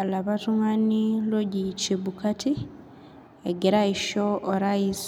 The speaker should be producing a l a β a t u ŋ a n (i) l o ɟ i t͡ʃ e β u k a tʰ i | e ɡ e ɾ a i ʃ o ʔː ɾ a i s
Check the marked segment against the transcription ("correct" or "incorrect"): correct